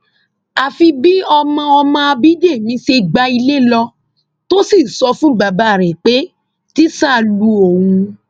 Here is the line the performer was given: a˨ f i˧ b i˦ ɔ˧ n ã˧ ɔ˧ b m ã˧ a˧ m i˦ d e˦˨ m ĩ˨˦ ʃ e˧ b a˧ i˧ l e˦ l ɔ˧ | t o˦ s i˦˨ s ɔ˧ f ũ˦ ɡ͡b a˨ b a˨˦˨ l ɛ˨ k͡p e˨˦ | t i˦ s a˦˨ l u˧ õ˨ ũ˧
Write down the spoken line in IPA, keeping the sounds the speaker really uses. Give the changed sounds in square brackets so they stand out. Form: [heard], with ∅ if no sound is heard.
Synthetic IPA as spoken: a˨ f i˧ b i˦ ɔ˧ [m] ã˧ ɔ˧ [∅] m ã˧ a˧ [b] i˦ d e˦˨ m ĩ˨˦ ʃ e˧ [ɡ͡b] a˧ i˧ l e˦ l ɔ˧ | t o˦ s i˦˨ s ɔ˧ f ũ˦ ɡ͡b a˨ b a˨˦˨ [ɾ] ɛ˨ k͡p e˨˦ | t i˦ s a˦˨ l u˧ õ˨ ũ˧

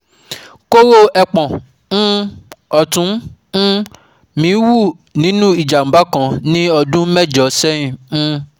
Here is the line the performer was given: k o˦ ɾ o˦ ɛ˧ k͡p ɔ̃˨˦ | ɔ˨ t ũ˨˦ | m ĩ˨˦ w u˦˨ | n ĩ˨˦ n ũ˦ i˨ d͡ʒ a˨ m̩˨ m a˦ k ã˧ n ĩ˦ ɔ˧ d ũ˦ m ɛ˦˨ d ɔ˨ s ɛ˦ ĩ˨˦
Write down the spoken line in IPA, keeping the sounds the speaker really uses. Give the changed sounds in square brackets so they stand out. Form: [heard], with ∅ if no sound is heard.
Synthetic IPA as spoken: k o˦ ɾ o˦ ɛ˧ k͡p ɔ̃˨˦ | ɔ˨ t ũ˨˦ | m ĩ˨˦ w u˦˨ | n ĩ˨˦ n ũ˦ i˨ d͡ʒ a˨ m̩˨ [b] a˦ k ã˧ n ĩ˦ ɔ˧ d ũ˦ m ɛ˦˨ [d͡ʒ] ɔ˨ s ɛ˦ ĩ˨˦

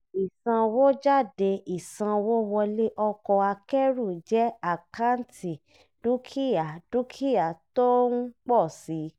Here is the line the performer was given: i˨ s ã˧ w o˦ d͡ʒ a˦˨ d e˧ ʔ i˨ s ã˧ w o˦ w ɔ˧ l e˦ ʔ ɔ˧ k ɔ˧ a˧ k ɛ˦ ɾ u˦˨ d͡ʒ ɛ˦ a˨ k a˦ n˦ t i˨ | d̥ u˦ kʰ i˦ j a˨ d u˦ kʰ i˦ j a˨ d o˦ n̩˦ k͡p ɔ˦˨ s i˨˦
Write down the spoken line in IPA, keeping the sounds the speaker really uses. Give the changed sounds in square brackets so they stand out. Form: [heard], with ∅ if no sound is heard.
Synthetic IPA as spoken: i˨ s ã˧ w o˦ d͡ʒ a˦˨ d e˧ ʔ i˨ s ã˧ w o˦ w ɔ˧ l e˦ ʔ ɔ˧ k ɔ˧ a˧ k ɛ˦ ɾ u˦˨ d͡ʒ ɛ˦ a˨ k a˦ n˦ t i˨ | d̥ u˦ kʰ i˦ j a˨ d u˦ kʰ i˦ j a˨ [t] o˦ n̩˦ k͡p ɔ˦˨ s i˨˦

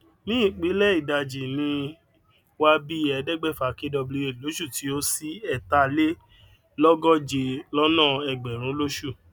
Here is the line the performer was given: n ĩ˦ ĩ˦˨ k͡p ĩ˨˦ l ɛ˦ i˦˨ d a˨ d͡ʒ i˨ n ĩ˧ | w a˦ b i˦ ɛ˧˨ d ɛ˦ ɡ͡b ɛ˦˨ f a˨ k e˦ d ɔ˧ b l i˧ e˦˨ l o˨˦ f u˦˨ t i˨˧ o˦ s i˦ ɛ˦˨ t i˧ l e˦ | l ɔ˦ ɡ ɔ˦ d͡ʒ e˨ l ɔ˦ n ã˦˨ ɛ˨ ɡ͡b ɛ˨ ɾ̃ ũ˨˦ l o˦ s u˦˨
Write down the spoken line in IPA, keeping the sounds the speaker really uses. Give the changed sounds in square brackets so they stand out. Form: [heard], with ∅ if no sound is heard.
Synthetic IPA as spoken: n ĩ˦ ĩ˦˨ k͡p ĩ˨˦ l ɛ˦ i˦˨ d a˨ d͡ʒ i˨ n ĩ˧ | w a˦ b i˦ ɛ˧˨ d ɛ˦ ɡ͡b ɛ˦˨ f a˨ k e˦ d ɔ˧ b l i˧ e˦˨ l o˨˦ [ʃ] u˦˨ t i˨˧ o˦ s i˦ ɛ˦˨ t [a˧] l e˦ | l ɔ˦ ɡ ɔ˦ d͡ʒ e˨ l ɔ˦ n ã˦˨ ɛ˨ ɡ͡b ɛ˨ ɾ̃ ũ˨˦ l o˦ [ʃ] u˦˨

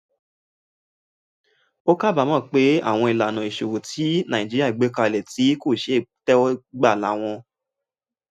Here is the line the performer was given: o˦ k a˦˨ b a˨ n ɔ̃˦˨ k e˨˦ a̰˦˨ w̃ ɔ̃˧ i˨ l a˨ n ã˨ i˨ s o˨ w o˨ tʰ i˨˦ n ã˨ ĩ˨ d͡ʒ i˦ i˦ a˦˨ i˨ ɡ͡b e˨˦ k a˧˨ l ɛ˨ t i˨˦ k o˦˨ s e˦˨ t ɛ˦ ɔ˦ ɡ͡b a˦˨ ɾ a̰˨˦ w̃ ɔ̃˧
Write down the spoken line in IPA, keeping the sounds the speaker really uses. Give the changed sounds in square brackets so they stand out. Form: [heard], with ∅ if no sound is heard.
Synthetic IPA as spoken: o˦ k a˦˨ b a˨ [m] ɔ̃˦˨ [k͡p] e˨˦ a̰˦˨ w̃ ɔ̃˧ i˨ l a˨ n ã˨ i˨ [ʃ] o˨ w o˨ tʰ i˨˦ n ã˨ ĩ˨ d͡ʒ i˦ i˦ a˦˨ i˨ ɡ͡b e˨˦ k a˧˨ l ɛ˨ t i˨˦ k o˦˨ [ʃ] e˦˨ t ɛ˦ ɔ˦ ɡ͡b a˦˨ [l] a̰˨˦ w̃ ɔ̃˧

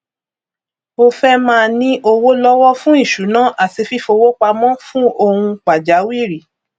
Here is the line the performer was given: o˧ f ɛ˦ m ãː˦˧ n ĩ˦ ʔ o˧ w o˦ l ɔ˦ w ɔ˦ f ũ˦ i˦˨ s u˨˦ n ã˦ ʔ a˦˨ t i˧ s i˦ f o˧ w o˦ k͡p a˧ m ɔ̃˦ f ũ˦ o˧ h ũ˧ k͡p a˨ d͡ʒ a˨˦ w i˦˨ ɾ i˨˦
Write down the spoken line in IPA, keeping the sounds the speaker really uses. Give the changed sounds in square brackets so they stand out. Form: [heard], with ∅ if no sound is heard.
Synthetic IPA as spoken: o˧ f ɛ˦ m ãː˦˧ n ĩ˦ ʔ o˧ w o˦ l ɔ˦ w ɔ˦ f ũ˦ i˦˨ [ʃ] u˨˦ n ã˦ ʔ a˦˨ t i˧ [f] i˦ f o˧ w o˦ k͡p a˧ m ɔ̃˦ f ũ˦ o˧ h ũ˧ k͡p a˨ d͡ʒ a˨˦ w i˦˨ ɾ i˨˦

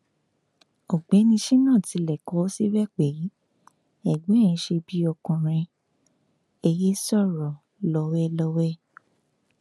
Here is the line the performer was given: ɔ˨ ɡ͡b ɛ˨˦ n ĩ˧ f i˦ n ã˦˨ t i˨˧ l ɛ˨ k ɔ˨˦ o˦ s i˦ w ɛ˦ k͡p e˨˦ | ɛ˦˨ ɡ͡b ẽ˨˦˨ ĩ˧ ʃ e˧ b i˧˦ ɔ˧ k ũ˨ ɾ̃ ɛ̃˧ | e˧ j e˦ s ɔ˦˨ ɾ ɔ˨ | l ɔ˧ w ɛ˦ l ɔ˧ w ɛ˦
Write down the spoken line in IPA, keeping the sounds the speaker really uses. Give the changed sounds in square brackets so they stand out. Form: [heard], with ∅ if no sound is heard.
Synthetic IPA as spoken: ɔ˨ ɡ͡b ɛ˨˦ n ĩ˧ [ʃ] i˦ n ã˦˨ t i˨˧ l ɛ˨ k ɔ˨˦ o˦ s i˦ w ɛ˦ k͡p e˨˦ | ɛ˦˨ ɡ͡b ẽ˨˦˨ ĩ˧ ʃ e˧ b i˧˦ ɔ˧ k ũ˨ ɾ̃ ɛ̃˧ | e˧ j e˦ s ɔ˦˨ ɾ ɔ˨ | l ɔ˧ w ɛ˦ l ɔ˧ w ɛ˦

